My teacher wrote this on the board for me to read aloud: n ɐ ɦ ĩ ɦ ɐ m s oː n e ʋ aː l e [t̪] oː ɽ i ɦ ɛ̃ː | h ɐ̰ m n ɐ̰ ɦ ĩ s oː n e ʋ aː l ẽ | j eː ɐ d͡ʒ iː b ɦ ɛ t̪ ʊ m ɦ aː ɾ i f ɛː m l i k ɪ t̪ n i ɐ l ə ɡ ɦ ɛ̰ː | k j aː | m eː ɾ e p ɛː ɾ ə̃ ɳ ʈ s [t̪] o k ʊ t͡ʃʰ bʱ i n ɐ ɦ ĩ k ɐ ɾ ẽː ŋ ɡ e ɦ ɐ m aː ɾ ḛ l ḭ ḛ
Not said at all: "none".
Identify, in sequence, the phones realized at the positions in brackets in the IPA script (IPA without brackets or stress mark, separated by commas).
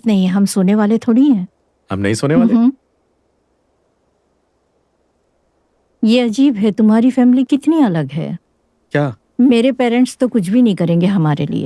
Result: t̪ʰ, t̪